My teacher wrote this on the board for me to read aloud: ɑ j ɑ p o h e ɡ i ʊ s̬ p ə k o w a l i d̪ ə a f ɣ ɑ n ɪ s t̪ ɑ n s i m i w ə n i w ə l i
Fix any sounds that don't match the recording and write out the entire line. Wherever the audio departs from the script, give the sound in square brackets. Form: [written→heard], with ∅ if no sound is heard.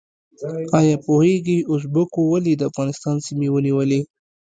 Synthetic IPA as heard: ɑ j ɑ p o h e ɡ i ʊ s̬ [p→b] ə k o w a l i d̪ ə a f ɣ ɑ n ɪ s t̪ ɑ n s i m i w ə n i w ə l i

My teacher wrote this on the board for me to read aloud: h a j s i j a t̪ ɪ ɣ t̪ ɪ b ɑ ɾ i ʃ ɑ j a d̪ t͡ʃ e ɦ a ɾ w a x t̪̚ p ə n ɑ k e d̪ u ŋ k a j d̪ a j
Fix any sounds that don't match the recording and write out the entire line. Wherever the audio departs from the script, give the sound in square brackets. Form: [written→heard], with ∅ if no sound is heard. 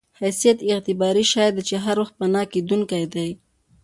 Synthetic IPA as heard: h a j s i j a t̪ ɪ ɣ t̪ ɪ b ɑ ɾ i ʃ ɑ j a d̪ t͡ʃ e ɦ a ɾ w a x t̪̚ p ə n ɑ k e d̪ u ŋ k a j d̪ a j

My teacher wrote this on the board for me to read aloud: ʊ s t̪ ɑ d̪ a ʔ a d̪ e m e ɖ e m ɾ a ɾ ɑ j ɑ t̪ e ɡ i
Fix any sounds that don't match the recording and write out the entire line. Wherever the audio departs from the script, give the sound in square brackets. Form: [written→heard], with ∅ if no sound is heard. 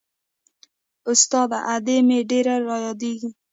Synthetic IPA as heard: ʊ s t̪ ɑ d̪ a ʔ a d̪ e m e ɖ e [m→∅] ɾ a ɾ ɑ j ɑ [t̪→d̪] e ɡ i

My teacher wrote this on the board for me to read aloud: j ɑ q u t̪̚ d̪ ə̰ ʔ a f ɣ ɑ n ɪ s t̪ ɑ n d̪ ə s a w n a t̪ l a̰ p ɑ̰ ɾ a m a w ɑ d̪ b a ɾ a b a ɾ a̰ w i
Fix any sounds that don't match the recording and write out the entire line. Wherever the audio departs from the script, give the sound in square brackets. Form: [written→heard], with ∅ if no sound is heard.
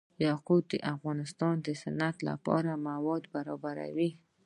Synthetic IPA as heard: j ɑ q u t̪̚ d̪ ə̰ ʔ a f ɣ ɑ n ɪ s t̪ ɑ n d̪ ə s a [w→∅] n a t̪ l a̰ p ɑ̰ ɾ a m a w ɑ d̪ b a ɾ [a→ɑ] b a ɾ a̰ w i

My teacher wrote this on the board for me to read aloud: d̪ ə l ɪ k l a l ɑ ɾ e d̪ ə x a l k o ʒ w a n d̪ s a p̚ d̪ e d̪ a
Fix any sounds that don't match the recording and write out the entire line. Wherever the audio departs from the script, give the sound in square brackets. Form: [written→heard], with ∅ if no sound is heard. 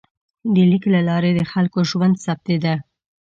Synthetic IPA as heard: d̪ ə l [ɪ→i] k l a l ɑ ɾ e d̪ ə x a l k o ʒ w a n d̪ s a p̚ [d̪→t̪] e d̪ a

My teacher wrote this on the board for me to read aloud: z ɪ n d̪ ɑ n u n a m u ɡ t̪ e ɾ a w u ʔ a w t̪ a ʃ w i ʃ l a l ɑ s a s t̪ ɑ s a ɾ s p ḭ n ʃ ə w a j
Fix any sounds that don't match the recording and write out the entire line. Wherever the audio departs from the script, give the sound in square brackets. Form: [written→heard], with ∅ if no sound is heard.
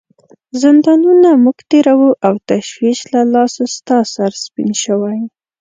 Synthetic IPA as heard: z ɪ n d̪ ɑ n u n a m u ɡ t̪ e ɾ a w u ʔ a w t̪ a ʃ w i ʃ l a l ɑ s a s t̪ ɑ s a ɾ s p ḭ n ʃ ə w a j

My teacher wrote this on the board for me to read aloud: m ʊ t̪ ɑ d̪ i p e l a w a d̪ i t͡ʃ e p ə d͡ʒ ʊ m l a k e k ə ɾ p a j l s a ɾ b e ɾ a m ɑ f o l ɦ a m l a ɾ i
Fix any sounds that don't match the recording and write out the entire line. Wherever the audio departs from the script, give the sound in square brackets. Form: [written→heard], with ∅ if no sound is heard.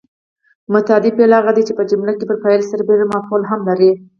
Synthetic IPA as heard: m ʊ t̪ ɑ d̪ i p e l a [w→ɣ] a d̪ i t͡ʃ e p ə d͡ʒ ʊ m l a k e [k→p] ə ɾ p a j l s a ɾ b e ɾ a m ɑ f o l ɦ a m l a ɾ i

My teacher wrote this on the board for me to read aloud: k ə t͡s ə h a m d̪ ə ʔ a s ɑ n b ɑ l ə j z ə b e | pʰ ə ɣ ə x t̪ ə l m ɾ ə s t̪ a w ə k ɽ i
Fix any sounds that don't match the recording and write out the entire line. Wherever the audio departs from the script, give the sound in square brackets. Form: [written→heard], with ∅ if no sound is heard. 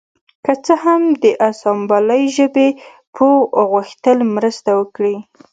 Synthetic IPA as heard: k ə t͡s ə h a m d̪ ə ʔ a s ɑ [n→m] b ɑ l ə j [z→ʒ] ə b e | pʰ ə ɣ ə x t̪ ə l m ɾ ə s t̪ a w ə k ɽ i

